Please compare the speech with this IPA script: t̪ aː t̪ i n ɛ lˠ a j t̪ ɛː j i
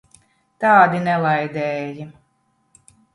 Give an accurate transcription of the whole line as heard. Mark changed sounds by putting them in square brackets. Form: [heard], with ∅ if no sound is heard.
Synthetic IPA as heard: t̪ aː [d̪] i n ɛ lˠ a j [d̪] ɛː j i